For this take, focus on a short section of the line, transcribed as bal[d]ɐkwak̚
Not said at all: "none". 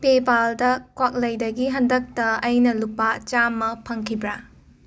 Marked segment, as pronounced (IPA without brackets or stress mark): d